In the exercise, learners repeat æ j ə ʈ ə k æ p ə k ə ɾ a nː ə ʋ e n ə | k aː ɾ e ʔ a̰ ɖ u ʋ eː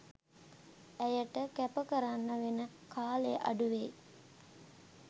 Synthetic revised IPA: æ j ə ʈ ə k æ p ə k ə ɾ a nː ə ʋ e n ə | k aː l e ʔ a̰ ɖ u ʋ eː